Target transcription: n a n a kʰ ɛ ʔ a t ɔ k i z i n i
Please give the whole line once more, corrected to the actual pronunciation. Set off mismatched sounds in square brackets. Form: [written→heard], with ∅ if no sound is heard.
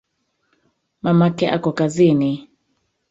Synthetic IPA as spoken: [n→m] a [n→m] a [kʰ→k] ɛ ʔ a [t→k] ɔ k [i→a] z i n i